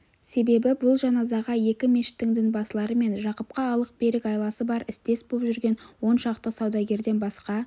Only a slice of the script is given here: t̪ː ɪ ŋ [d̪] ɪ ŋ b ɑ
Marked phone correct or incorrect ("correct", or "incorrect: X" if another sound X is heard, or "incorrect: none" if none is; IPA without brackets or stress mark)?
correct